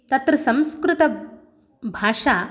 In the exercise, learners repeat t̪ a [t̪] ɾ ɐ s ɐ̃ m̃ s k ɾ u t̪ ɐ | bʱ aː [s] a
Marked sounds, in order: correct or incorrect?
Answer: correct, incorrect

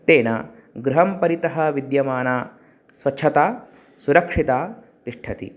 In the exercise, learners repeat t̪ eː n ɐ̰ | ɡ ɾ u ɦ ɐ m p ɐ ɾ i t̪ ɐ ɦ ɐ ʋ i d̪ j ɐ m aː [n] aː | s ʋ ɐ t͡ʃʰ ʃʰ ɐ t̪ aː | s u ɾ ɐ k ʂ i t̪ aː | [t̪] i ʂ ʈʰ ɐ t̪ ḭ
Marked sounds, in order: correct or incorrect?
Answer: correct, correct

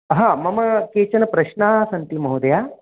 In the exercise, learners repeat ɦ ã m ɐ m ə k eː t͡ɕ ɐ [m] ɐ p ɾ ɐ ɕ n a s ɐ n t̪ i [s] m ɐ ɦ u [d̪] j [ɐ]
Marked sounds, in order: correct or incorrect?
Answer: incorrect, incorrect, correct, incorrect

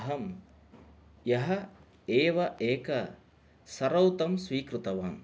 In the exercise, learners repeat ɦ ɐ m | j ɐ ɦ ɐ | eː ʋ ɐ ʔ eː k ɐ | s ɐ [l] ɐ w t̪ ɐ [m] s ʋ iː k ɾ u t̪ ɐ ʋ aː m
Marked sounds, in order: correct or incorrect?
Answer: incorrect, correct

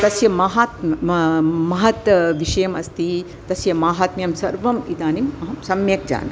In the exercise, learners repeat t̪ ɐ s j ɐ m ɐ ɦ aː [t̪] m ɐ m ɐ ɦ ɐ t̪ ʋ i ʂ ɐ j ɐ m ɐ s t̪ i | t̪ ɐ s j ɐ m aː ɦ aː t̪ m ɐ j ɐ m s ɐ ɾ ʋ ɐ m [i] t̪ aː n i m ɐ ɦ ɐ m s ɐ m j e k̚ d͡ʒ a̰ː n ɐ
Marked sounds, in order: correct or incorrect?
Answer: correct, correct

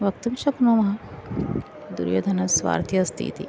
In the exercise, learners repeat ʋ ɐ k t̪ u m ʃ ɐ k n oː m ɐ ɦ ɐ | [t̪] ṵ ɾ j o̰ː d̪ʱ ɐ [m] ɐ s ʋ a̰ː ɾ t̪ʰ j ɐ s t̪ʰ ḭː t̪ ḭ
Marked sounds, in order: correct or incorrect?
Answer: incorrect, incorrect

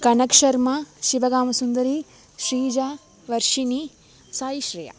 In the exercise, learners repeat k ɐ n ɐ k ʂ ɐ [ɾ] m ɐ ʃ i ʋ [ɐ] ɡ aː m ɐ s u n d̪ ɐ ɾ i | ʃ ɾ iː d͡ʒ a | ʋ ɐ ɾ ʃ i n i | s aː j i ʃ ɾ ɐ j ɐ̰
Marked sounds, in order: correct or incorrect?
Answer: correct, correct

